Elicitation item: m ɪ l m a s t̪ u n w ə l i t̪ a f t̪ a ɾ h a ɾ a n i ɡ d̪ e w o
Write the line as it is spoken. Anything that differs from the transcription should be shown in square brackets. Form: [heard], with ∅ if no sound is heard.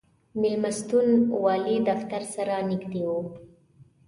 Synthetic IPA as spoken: m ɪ l m a s t̪ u n w [ɑ] l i [d̪] a f t̪ a ɾ [s] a ɾ a n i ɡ d̪ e w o